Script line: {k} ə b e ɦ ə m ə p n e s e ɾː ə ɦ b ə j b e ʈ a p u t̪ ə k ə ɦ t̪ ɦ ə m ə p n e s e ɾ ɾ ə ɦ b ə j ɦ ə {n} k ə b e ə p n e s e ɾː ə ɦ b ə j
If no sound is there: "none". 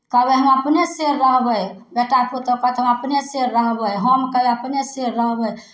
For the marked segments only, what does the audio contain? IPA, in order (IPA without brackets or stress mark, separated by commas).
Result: k, m